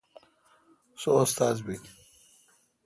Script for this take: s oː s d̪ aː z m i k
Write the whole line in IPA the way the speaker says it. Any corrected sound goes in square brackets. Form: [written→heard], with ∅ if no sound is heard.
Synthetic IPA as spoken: s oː s [d̪→t̪] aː z [m→b] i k

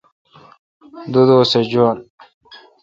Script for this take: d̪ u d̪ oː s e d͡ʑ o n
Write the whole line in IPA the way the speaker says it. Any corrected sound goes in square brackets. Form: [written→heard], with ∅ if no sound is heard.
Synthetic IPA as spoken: d̪ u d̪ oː s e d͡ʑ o n

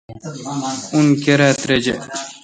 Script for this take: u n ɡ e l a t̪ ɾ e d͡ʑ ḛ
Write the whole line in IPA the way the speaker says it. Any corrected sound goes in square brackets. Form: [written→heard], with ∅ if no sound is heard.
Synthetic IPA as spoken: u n [ɡ→k] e [l→ɾ] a t̪ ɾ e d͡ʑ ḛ

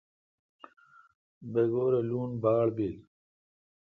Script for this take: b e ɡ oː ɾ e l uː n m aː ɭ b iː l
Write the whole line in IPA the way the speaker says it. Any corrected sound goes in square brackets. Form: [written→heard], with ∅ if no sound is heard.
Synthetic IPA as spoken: b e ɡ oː ɾ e l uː n [m→b] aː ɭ b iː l

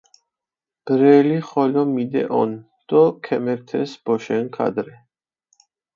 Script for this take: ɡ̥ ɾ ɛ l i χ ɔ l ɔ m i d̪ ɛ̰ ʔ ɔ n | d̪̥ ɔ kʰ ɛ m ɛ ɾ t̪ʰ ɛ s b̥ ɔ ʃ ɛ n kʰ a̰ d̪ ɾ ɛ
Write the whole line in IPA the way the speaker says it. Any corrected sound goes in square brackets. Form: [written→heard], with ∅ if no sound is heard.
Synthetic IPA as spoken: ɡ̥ ɾ ɛ l i χ ɔ l ɔ m i d̪ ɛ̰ ʔ ɔ n | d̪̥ ɔ kʰ ɛ m ɛ ɾ t̪ʰ ɛ s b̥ ɔ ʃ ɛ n kʰ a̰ d̪ ɾ ɛ

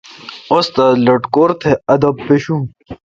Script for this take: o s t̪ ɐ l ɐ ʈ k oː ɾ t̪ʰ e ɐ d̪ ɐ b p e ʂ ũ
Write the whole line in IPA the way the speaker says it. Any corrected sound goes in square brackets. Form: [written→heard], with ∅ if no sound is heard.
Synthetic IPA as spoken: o s t̪ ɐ l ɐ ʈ k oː ɾ t̪ʰ e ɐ d̪ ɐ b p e [ʂ→ɕ] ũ

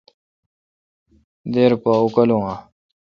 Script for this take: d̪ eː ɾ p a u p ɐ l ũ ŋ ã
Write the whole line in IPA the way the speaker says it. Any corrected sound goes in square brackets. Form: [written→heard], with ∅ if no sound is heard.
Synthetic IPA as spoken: d̪ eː ɾ p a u [p→k] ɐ l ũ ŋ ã

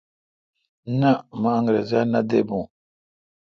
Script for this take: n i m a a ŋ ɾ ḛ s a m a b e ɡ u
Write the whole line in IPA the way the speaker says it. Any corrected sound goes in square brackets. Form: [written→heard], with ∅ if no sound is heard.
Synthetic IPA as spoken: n [i→a] m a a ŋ ɾ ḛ [s→z] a [m→n] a [b→d] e [ɡ→b] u

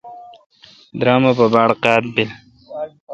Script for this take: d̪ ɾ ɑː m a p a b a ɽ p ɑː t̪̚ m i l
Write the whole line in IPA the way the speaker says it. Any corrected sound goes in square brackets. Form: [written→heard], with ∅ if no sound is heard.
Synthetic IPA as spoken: d̪ ɾ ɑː m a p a b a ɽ [p→q] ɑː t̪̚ [m→b] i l

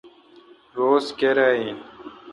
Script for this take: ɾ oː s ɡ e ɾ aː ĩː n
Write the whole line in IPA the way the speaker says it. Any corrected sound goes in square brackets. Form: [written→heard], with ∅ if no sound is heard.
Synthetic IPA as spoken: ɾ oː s [ɡ→k] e ɾ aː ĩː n

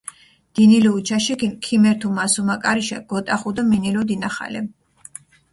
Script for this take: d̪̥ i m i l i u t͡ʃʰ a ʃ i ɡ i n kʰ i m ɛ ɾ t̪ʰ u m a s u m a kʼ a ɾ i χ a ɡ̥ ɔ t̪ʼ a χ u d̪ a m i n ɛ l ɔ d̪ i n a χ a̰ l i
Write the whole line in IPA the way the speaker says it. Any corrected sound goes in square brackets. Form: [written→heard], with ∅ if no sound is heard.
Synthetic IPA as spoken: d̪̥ i [m→n] i l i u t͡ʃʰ a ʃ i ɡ i n kʰ i m ɛ ɾ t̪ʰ u m a s u m a kʼ a ɾ i [χ→ʃ] a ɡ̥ ɔ t̪ʼ a χ u d̪ a m i n [ɛ→i] l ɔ d̪ i n a χ a̰ l [i→ɛ]

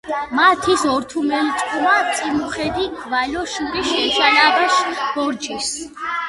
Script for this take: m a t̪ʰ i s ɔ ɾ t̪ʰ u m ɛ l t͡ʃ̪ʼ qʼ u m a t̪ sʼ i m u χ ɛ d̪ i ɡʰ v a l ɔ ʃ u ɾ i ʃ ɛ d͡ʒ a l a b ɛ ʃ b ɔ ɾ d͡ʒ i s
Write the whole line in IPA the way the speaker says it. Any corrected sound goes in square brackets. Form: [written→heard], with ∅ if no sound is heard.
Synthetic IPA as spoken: m a t̪ʰ i s ɔ ɾ t̪ʰ u m ɛ l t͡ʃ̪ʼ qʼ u m a t̪ sʼ i m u χ ɛ d̪ i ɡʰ v a l ɔ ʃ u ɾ i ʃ ɛ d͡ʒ a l a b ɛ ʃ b ɔ ɾ d͡ʒ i s

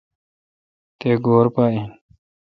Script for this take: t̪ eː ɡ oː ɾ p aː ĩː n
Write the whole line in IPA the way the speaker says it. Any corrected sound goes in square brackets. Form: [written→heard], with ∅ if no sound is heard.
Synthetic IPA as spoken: t̪ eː ɡ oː ɾ p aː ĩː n

